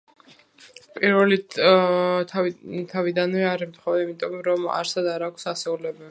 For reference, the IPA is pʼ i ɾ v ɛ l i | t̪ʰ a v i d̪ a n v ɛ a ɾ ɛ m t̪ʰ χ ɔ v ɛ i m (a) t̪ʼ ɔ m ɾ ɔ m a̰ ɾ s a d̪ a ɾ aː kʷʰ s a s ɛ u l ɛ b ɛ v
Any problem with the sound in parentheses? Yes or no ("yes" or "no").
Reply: yes